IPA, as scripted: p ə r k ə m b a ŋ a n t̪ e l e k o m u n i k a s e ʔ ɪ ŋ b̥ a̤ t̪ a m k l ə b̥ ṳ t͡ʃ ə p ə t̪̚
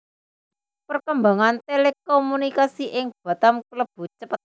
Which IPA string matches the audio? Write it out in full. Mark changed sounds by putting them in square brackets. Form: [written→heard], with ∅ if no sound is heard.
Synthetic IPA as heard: p ə r k ə m b a ŋ a n t̪ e l e k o m u n i k a s [e→i] ʔ ɪ ŋ b̥ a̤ t̪ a m k l ə b̥ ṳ t͡ʃ ə p ə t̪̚